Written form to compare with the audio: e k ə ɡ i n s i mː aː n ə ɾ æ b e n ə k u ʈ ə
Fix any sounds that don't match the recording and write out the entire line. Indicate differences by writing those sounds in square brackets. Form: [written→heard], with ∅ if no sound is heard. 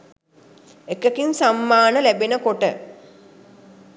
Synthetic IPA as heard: e k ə [ɡ→k] i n s [i→a] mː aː n ə [ɾ→l] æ b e n ə k [u→o] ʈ ə